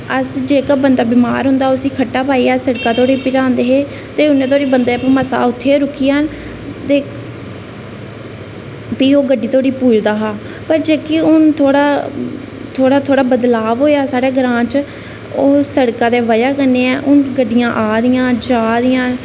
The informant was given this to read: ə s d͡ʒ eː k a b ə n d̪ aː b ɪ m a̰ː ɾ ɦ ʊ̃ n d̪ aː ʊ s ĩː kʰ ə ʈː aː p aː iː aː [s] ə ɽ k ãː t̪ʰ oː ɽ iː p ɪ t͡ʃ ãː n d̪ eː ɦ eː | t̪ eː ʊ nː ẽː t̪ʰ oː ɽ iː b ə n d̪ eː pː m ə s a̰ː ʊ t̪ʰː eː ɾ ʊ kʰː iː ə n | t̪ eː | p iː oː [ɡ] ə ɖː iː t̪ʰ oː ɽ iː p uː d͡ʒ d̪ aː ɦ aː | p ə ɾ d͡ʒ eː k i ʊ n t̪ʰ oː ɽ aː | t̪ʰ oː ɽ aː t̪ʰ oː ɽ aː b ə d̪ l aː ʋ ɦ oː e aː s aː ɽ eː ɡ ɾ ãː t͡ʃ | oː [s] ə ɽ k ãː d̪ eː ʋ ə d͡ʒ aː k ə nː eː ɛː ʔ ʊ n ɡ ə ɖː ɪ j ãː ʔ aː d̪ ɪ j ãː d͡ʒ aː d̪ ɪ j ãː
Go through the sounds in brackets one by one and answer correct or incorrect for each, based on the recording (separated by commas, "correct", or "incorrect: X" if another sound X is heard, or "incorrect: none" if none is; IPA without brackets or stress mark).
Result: correct, correct, correct